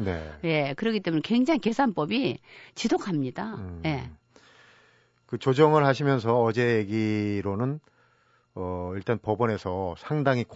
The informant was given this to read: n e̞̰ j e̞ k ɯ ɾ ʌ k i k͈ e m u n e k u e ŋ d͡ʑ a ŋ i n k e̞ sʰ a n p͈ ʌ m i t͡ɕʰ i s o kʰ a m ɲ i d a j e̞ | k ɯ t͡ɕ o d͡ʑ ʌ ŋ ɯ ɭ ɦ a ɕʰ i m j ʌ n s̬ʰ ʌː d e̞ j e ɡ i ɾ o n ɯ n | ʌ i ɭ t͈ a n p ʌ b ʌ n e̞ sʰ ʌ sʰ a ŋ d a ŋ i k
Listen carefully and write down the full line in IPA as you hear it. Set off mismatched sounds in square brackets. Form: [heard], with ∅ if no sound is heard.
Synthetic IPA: n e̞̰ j e̞ k ɯ ɾ ʌ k i [t͈] e m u n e k [w] e ŋ d͡ʑ a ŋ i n k e̞ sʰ a n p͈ ʌ [b] i [t͡ɕ] i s o kʰ a m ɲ i d a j e̞ | k ɯ t͡ɕ o d͡ʑ ʌ ŋ ɯ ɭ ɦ a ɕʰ i m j ʌ n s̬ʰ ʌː [d͡ʑ] e̞ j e ɡ i ɾ o n ɯ n | ʌ i ɭ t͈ a n p ʌ b ʌ n e̞ sʰ ʌ sʰ a ŋ d a ŋ i k